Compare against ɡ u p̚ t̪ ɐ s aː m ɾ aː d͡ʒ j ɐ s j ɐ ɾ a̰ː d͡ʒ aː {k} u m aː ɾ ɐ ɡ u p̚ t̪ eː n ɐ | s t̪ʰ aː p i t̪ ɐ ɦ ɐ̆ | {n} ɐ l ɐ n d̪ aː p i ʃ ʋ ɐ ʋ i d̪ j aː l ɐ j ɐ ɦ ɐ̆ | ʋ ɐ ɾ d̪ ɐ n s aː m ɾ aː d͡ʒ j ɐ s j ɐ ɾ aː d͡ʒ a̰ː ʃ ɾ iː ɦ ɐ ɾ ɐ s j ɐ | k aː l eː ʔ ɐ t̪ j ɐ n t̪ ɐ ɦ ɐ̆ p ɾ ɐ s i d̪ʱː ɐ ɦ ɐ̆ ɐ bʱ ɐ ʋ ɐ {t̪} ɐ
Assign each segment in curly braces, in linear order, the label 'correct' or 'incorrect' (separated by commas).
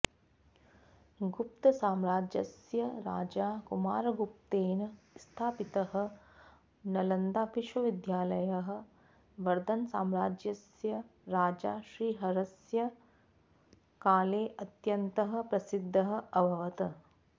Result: correct, correct, correct